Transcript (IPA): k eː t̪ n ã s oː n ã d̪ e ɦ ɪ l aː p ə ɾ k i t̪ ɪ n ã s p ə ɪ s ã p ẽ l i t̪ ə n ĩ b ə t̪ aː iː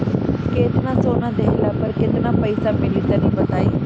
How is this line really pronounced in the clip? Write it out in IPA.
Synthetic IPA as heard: k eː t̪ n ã s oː n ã d̪ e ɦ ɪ l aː p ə ɾ k ɪ t̪ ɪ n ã p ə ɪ s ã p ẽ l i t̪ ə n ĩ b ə t̪ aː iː

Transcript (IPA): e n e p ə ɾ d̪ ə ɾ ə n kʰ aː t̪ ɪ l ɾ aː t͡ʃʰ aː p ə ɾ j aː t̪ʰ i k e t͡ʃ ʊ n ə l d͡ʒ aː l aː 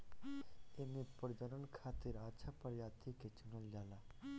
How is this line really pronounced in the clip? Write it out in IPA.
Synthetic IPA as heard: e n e p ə ɾ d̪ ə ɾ ə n kʰ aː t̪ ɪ ɾ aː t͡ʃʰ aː p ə ɾ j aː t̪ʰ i k e t͡ʃ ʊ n ə l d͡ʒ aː l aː

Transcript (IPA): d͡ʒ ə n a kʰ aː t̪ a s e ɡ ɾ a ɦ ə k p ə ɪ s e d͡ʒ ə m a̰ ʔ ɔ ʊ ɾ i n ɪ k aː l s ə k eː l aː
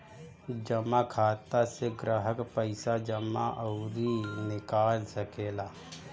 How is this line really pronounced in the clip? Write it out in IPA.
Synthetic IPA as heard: d͡ʒ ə m a kʰ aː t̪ a s e ɡ ɾ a ɦ ə k p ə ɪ s a d͡ʒ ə m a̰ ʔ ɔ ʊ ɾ i n ɪ k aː l s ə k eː l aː

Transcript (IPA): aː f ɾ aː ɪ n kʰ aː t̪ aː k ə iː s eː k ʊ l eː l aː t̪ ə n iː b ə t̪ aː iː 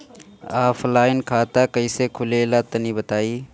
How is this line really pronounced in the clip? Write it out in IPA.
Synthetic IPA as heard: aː f l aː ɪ n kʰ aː t̪ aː k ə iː s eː kʰ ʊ l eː l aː t̪ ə n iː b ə t̪ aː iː

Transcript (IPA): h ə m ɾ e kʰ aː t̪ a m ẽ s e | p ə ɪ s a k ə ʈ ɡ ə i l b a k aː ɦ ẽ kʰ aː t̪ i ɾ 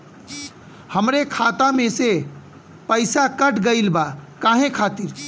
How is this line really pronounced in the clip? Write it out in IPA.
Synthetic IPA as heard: h ə m ɾ e kʰ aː t̪ a m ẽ s e | p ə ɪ s a k ə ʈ ɡ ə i l b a k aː ɦ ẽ kʰ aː t̪ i ɾ

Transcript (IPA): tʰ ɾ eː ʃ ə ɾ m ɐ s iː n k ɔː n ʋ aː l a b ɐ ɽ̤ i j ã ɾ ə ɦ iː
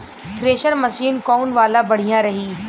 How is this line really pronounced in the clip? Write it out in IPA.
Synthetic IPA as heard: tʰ ɾ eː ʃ ə ɾ m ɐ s iː n k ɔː n ʋ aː l a b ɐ ɽ̤ i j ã ɾ ɐ ɦ iː

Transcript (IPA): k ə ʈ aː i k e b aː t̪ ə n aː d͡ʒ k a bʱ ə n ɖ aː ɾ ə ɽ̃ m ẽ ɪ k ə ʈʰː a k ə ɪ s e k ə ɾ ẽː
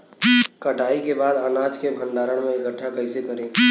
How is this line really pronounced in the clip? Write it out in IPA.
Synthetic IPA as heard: k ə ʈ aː i k e b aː d̪ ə n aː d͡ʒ k e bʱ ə n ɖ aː ɾ ə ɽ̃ m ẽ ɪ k ə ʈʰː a k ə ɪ s e k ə ɾ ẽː

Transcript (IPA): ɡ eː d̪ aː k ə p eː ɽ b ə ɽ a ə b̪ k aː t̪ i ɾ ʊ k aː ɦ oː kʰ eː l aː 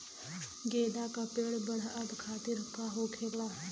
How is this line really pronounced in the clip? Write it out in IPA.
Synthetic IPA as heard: ɡ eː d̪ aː k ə p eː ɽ b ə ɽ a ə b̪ kʰ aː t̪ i ɾ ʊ k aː ɦ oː kʰ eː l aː

